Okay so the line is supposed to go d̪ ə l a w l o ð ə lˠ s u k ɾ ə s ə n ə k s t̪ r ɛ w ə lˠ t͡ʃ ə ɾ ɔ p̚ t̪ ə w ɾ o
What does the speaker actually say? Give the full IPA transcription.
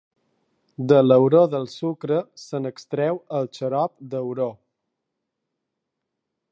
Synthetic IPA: d̪ ə l ə w ɾ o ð ə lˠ s u k ɾ ə s ə n ə k s t̪ ɾ ɛ w ə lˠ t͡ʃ ə ɾ ɔ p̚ d̪ ə w ɾ o